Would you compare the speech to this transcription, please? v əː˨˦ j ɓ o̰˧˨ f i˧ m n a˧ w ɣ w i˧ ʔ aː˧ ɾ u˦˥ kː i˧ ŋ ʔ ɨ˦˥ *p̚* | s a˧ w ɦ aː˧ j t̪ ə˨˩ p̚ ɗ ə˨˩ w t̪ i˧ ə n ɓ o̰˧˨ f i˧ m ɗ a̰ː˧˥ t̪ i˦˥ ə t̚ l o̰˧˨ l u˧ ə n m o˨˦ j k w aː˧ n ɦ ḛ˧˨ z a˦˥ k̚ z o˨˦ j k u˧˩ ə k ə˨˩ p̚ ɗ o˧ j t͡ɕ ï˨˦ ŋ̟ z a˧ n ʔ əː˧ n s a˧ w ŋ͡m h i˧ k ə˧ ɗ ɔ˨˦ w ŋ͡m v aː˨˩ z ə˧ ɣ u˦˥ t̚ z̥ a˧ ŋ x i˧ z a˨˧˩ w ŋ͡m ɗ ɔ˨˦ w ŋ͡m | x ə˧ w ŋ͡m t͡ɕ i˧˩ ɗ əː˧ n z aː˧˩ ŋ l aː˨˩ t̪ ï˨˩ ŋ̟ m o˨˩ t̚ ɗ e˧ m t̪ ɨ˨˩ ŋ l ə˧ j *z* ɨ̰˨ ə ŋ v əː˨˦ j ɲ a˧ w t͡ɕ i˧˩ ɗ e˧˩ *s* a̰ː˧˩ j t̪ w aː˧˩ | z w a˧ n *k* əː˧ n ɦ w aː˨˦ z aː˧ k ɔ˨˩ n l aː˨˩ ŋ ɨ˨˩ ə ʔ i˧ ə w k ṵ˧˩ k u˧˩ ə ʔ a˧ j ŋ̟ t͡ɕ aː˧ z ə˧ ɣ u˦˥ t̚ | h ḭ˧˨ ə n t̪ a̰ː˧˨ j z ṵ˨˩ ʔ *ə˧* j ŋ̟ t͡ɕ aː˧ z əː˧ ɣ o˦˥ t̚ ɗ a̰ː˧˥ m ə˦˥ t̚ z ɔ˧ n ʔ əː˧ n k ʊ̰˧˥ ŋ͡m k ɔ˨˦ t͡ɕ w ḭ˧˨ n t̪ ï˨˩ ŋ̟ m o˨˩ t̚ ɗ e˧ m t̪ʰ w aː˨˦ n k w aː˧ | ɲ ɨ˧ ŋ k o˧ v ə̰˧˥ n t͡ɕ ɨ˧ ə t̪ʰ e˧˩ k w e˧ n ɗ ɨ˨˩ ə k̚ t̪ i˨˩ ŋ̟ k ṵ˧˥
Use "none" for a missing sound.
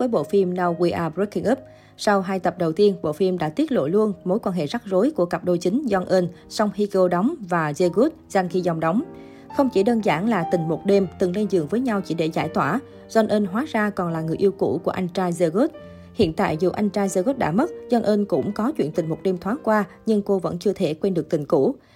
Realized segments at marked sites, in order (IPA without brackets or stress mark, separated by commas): p̚, z, z, ʔ, a˧